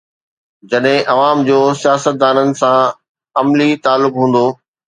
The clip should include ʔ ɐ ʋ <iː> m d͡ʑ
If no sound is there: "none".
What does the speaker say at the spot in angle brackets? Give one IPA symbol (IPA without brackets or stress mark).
aː